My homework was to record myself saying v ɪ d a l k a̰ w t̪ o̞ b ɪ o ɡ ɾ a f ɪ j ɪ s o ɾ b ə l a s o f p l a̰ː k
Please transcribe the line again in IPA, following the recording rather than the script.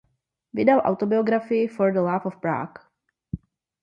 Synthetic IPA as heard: v ɪ d a l ʔ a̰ w t̪ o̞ b ɪ o ɡ ɾ a f ɪ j ɪ f o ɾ d ə l a f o f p ɾ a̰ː k